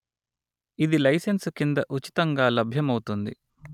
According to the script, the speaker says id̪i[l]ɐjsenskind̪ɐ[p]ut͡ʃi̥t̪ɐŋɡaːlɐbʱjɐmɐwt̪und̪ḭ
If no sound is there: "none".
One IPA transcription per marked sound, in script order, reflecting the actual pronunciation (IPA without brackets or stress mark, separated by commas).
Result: l, ʔ